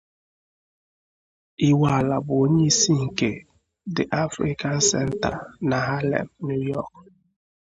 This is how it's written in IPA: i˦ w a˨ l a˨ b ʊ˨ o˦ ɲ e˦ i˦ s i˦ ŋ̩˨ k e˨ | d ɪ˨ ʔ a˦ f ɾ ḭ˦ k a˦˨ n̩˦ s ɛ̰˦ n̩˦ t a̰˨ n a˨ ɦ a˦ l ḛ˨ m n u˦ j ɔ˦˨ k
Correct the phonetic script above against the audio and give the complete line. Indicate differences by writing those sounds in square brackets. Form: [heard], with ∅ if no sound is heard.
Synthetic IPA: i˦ w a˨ l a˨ b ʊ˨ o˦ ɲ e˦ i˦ s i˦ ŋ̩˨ k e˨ | d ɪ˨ ʔ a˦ f ɾ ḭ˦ k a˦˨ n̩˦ s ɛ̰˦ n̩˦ t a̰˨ n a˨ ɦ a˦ l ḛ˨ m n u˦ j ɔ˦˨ k